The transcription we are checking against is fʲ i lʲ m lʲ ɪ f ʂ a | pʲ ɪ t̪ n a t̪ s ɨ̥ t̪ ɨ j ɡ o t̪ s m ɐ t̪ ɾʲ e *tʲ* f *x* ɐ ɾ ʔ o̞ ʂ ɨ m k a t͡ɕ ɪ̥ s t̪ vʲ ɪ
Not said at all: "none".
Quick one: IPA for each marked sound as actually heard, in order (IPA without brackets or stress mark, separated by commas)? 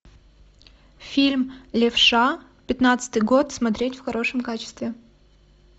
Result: tʲ, x